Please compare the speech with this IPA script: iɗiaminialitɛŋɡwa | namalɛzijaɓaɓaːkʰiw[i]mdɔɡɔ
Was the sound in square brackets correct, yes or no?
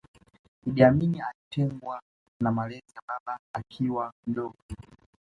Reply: no